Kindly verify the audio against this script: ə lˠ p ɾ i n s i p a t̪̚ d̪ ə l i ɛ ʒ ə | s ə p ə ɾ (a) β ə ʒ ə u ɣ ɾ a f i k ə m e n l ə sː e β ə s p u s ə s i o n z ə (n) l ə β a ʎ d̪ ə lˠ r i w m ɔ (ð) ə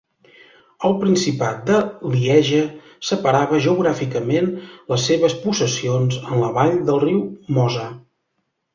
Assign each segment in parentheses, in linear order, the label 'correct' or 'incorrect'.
correct, correct, incorrect

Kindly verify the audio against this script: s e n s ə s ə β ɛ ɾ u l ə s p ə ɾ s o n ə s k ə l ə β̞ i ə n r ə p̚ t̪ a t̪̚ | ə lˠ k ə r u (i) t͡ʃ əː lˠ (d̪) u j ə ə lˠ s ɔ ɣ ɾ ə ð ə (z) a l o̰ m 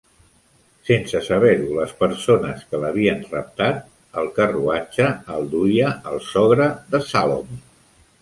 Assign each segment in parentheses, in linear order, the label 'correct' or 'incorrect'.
incorrect, correct, incorrect

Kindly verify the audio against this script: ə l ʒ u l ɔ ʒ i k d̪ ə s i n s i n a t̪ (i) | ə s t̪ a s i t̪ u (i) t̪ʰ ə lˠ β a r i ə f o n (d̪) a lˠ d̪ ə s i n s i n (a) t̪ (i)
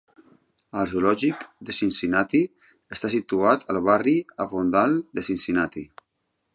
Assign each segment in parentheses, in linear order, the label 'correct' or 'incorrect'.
correct, incorrect, correct, correct, correct

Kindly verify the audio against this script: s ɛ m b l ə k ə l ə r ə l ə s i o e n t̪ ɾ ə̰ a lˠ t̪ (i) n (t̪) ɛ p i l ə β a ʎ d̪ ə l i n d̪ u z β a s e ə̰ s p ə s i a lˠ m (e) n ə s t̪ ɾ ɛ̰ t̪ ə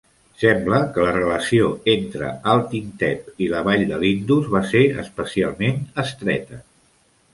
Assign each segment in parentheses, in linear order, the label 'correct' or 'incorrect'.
correct, correct, correct

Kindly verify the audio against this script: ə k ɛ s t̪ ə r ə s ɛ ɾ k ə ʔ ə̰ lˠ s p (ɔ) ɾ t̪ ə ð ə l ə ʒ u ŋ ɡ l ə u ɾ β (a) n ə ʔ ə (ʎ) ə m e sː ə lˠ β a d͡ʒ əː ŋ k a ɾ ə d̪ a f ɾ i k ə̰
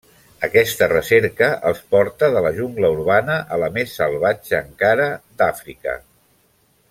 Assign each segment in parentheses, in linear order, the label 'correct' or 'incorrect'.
correct, correct, incorrect

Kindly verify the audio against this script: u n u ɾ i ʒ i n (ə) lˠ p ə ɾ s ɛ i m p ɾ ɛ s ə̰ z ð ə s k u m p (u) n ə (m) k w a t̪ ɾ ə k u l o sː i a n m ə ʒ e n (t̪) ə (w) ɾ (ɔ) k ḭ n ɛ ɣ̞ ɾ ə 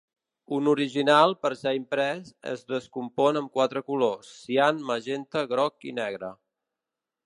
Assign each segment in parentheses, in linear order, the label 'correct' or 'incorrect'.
incorrect, incorrect, correct, correct, incorrect, correct

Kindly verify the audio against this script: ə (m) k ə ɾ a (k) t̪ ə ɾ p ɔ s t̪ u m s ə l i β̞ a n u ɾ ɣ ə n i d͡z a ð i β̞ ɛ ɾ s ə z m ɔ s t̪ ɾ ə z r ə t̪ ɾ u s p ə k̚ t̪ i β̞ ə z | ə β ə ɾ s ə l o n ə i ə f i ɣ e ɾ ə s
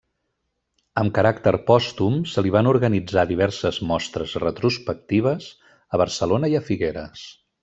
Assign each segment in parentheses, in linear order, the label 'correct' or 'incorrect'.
correct, correct

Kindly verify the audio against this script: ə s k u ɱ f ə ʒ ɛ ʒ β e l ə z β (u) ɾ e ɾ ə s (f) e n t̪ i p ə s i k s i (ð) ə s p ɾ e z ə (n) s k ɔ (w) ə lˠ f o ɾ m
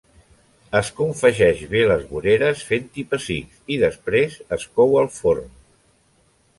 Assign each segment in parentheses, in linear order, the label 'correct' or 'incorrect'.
correct, correct, correct, incorrect, correct

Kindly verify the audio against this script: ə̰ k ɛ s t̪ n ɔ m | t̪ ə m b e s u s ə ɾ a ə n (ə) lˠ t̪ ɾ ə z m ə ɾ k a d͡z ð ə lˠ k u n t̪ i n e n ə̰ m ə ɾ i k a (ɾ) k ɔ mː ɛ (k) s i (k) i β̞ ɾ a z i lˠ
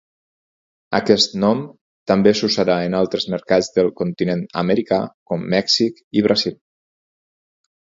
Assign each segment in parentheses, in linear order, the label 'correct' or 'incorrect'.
incorrect, incorrect, correct, correct

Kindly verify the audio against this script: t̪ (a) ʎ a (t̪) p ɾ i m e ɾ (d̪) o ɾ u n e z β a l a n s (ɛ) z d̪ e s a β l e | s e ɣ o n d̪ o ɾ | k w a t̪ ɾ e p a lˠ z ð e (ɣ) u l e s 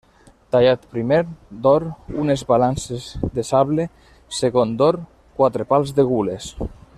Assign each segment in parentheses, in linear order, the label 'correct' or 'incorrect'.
correct, correct, correct, incorrect, correct

